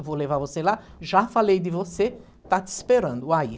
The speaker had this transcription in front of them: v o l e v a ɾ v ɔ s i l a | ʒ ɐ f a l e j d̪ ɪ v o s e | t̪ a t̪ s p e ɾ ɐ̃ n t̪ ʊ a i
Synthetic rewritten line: v o l e v a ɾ v o s e l a | ʒ a f a l e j d̪ ɪ v o s e | t̪ a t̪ s p e ɾ ɐ̃ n d̪ ʊ a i